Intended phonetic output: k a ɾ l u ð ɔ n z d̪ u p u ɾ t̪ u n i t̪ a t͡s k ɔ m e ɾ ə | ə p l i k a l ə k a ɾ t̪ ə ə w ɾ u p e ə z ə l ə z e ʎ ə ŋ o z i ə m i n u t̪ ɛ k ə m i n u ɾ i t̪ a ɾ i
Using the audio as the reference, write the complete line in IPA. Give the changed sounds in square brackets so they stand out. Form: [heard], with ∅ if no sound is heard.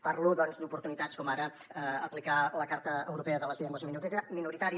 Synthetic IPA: [p] a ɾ l u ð ɔ n z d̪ u p u ɾ t̪ u n i t̪ a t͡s k ɔ m [a] ɾ ə | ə p l i k a l ə k a ɾ t̪ ə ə w ɾ u p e ə [ð] ə l ə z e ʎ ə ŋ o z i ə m i n u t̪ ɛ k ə m i n u ɾ i t̪ a ɾ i